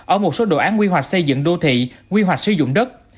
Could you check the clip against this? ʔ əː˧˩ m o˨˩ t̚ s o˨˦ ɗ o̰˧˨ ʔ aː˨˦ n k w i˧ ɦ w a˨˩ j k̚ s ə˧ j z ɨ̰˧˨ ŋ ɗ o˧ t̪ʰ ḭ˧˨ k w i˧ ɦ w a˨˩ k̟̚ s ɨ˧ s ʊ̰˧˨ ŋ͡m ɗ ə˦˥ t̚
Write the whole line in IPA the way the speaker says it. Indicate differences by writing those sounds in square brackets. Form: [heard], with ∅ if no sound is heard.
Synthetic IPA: ʔ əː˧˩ m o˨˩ t̚ s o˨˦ ɗ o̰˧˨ ʔ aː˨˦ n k w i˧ ɦ w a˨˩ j k̚ s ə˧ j z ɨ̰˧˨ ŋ ɗ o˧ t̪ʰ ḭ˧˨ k w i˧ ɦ w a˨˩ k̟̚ s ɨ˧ [z] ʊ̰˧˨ ŋ͡m ɗ ə˦˥ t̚